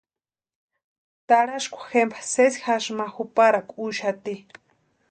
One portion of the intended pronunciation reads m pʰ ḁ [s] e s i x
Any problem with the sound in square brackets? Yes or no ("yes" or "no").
no